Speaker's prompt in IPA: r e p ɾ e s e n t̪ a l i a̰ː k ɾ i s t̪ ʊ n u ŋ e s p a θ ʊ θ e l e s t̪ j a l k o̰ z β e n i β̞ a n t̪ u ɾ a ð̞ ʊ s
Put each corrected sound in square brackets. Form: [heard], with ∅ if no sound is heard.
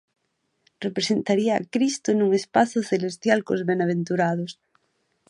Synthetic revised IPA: r e p ɾ e s e n t̪ a [ɾ] i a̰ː k ɾ i s t̪ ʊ n u ŋ e s p a θ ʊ θ e l e s t̪ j a l k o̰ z β e n [a] β̞ [e] n t̪ u ɾ a ð̞ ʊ s